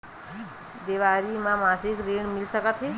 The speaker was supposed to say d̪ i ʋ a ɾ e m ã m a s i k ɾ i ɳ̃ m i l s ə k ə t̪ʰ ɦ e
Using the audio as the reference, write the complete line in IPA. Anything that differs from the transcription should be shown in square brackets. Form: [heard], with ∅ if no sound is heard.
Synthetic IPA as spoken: d̪ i ʋ a ɾ [i] m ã m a s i k ɾ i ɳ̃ m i l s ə k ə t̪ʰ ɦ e